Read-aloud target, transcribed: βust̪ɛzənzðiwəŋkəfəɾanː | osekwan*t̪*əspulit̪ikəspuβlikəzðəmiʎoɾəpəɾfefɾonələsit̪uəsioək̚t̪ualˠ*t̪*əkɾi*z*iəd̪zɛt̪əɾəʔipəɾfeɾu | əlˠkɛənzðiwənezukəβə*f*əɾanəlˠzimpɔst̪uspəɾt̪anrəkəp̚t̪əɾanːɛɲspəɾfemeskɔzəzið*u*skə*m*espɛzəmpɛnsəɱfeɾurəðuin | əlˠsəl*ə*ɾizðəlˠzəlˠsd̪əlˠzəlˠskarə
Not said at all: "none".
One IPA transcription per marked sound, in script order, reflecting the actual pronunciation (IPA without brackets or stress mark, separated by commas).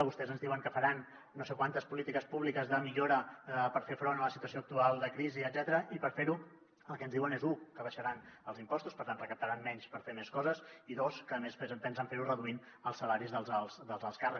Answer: t̪, d̪, z, ʃ, o, m, a